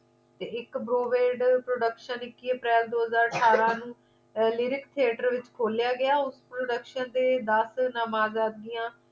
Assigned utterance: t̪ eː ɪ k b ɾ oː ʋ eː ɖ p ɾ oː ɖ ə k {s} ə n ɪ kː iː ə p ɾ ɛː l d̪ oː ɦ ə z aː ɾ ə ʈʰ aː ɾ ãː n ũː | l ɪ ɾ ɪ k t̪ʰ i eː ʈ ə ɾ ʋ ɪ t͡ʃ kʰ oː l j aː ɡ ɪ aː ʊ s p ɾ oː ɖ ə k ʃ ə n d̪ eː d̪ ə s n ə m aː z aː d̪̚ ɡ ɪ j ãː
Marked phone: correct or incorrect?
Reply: incorrect